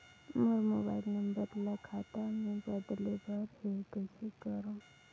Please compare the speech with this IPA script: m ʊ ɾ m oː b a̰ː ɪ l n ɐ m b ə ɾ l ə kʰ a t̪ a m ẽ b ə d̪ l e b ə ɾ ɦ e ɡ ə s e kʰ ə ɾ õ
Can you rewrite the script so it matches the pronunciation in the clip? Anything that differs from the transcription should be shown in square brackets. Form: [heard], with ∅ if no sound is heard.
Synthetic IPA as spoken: m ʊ ɾ m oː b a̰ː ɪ l n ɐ m b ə ɾ l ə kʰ a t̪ a m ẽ b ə d̪ l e b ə ɾ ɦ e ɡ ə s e [k] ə ɾ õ